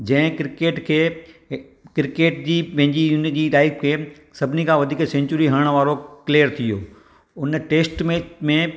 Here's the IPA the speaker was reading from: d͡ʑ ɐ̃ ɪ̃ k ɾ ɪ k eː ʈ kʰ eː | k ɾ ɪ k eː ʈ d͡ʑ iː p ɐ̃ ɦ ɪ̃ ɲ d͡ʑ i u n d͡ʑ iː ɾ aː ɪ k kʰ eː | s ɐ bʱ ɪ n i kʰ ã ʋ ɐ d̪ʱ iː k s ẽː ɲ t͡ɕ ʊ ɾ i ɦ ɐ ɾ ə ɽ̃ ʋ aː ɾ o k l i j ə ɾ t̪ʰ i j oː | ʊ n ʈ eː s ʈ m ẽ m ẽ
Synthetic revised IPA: d͡ʑ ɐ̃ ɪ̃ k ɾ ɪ k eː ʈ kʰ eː | k ɾ ɪ k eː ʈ d͡ʑ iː p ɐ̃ ɦ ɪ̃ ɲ d͡ʑ i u n d͡ʑ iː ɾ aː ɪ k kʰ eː | s ɐ bʱ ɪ n i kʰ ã ʋ ɐ d̪ʱ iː k s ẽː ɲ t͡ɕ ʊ ɾ i ɦ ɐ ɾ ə ɽ̃ ʋ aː ɾ o k l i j ə ɾ t̪ʰ i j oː | ʊ n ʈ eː s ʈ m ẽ m ẽ